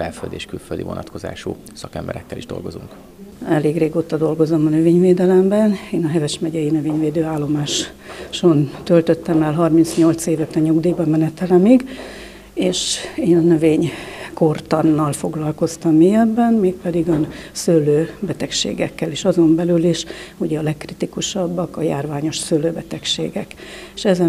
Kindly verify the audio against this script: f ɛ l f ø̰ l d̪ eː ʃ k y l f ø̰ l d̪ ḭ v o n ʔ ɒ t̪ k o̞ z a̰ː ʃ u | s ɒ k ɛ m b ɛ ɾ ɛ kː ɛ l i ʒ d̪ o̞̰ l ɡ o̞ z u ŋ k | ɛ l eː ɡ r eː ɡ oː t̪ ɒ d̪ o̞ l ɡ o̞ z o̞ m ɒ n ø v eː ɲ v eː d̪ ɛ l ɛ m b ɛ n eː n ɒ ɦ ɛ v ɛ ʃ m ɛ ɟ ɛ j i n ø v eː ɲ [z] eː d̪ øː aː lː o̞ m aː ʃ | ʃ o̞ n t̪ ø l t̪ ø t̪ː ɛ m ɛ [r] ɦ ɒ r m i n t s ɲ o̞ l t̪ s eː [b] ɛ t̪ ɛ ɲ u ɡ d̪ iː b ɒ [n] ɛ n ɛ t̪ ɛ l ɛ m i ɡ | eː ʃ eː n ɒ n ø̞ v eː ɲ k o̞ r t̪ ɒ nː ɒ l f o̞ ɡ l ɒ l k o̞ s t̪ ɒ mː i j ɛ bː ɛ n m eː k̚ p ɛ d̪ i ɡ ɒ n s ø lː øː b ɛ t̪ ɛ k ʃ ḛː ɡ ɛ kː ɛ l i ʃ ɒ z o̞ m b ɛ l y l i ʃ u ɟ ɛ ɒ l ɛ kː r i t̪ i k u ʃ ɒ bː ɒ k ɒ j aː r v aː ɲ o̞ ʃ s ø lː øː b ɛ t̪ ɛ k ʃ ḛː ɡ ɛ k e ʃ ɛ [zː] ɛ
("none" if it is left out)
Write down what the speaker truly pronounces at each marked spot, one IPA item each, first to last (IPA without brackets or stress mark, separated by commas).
v, l, v, m, z